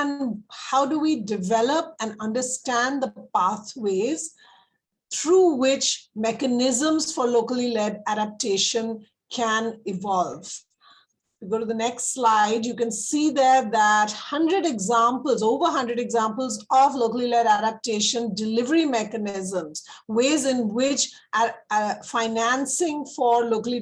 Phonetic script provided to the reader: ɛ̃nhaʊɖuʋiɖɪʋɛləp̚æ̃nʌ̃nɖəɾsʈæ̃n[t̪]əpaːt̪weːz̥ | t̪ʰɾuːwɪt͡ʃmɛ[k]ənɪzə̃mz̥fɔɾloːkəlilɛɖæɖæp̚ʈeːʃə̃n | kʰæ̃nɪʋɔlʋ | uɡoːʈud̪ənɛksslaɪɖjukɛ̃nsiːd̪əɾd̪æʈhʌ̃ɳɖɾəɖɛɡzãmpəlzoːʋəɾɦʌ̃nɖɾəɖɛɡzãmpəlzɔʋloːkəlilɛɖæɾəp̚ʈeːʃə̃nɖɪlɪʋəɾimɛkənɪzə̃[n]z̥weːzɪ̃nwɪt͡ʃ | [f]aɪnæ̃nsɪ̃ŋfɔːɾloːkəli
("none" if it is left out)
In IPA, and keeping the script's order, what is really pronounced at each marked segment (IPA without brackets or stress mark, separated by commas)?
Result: d̪, k, m, f